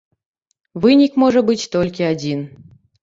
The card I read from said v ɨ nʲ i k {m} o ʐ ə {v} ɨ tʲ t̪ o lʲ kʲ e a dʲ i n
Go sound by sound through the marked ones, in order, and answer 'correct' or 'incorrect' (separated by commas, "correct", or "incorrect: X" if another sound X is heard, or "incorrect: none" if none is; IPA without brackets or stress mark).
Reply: correct, incorrect: b